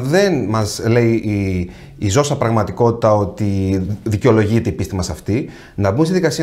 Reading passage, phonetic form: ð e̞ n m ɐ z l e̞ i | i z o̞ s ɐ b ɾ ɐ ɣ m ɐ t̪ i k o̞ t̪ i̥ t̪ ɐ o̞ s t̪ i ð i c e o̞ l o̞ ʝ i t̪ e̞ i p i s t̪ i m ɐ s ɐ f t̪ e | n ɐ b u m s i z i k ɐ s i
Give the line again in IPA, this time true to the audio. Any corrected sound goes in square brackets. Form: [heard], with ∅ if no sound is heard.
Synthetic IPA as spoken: ð e̞ n m ɐ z l e̞ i | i z o̞ s ɐ [p] ɾ ɐ ɣ m ɐ t̪ i k o̞ t̪ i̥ t̪ ɐ o̞ [∅] t̪ i ð i c e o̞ l o̞ ʝ i t̪ e̞ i p i s t̪ i m ɐ s ɐ f t̪ [i] | n ɐ b u m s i [ð] i k ɐ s i